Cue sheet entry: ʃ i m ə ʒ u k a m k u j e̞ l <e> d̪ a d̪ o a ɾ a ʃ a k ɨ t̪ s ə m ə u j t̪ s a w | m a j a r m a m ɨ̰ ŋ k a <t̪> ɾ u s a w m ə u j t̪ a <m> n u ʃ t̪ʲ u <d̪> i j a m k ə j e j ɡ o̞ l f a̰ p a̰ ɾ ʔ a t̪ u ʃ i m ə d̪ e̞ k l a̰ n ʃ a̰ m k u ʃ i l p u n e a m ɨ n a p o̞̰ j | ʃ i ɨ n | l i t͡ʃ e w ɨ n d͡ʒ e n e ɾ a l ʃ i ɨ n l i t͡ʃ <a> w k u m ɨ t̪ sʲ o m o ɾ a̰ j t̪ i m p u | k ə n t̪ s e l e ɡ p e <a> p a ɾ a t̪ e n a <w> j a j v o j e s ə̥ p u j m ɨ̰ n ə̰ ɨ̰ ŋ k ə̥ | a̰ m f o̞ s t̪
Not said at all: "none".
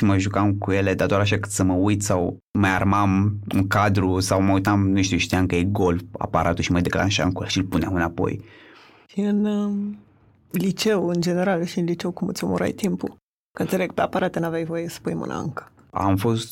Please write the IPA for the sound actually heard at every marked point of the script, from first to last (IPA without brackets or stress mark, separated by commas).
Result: e, d̪, m, t̪, e, a, v